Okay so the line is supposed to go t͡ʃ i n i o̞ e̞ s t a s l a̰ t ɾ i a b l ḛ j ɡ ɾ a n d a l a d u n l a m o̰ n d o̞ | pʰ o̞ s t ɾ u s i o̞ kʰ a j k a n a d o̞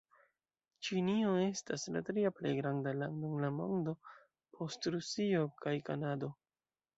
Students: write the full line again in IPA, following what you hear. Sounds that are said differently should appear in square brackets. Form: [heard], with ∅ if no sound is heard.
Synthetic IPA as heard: t͡ʃ i n i o̞ e̞ s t a s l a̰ t ɾ i a [p] l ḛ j ɡ ɾ a n d a l a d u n l a m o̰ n d o̞ | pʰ o̞ s t ɾ u s i o̞ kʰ a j k a n a d o̞